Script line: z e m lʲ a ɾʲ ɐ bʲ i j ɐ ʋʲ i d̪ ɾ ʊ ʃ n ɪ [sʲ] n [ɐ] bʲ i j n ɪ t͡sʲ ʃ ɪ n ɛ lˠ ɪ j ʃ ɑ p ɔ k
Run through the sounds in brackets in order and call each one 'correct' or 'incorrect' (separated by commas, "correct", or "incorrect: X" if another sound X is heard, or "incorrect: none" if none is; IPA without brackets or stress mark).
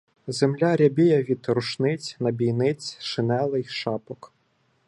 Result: incorrect: t͡sʲ, correct